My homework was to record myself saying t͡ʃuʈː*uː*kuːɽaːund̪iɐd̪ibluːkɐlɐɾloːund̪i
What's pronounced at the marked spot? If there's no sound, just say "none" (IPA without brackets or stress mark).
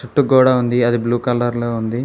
u